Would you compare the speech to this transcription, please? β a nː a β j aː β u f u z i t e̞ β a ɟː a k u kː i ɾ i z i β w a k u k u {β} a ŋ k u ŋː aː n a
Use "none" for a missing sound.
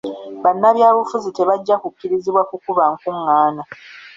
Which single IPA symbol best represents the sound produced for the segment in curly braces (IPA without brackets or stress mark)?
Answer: β